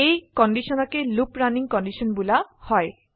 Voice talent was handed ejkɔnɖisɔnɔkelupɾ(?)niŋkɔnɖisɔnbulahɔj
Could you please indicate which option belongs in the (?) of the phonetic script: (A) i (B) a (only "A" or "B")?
B